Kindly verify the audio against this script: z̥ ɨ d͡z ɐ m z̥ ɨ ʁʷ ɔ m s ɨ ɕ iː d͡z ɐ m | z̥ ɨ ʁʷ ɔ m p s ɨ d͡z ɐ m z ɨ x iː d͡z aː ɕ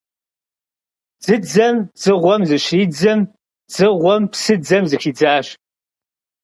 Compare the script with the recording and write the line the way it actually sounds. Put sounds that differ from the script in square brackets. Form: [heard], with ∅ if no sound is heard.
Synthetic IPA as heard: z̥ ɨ d͡z ɐ m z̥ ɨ ʁʷ ɔ m [z] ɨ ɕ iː d͡z ɐ m | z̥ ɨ ʁʷ ɔ m p s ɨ d͡z ɐ m z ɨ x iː d͡z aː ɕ